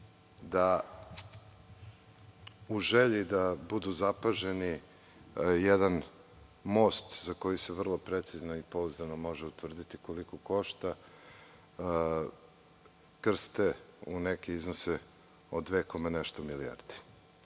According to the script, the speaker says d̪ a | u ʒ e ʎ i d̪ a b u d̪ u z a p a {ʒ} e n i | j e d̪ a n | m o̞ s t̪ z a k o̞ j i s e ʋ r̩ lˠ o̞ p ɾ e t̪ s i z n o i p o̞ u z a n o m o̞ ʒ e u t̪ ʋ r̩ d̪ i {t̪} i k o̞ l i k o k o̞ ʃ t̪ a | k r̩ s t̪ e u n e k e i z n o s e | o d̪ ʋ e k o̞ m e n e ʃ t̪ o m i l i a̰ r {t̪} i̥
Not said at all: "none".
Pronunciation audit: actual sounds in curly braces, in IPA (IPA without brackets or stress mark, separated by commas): ʒ, t̪, d̪